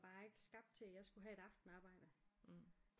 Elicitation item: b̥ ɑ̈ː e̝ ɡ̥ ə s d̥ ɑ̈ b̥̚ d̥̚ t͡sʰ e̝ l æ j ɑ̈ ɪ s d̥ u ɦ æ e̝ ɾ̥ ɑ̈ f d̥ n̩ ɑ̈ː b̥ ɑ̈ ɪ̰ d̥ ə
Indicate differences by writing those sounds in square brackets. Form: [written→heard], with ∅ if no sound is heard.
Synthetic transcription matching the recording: b̥ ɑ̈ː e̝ ɡ̥ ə s [d̥→ɡ̥] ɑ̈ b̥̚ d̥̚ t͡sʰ e̝ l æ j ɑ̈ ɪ s [d̥→ɡ̥] u ɦ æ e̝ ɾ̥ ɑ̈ f d̥ n̩ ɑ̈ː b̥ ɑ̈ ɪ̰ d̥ ə